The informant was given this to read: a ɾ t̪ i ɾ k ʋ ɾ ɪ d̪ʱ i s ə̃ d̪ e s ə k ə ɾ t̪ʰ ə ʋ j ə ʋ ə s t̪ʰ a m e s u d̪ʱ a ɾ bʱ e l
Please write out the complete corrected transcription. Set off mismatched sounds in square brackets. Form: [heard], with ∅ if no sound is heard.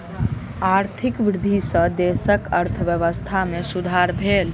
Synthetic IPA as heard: a ɾ [t̪ʰ] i [∅] k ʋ ɾ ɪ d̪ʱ i s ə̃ d̪ e s ə k ə ɾ t̪ʰ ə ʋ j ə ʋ ə s t̪ʰ a m e s u d̪ʱ a ɾ bʱ e l